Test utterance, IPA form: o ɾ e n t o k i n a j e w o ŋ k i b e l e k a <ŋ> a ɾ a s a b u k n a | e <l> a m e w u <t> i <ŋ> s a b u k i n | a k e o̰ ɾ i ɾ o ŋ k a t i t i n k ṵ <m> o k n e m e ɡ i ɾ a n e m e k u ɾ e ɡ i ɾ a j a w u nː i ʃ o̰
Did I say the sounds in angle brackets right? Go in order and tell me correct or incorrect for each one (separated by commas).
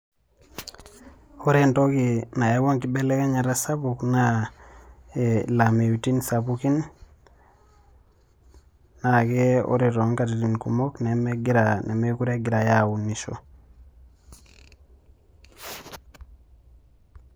incorrect, correct, correct, incorrect, correct